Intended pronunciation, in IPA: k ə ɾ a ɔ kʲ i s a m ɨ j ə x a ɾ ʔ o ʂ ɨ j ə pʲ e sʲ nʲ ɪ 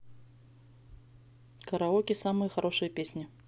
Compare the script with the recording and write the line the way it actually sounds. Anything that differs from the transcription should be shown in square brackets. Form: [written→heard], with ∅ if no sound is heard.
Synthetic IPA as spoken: k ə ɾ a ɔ kʲ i s a m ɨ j ə x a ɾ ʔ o ʂ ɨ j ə pʲ e sʲ nʲ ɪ